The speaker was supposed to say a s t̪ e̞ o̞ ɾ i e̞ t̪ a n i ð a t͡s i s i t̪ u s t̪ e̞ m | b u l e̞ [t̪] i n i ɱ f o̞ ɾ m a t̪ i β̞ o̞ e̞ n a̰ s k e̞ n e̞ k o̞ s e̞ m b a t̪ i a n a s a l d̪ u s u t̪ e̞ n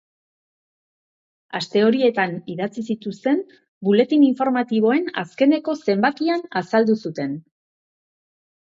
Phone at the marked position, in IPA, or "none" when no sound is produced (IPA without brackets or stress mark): t̪